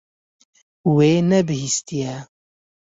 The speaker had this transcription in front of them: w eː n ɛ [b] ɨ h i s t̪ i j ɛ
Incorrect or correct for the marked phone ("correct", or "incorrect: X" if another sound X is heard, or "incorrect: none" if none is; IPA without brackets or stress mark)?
correct